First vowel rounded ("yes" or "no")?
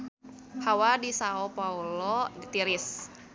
no